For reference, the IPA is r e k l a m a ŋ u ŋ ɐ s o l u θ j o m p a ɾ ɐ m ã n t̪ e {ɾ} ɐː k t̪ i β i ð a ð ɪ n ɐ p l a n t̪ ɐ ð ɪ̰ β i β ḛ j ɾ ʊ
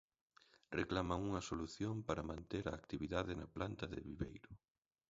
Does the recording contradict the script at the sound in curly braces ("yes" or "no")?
no